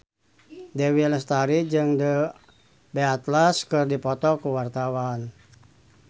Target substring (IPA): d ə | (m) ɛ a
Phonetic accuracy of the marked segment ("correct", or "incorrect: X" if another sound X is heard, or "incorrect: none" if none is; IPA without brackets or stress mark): incorrect: b